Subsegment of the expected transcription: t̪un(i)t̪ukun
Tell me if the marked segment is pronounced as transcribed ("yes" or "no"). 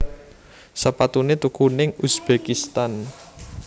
no